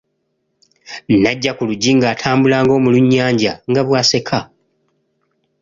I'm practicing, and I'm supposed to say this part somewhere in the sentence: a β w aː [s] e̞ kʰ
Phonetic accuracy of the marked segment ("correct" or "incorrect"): correct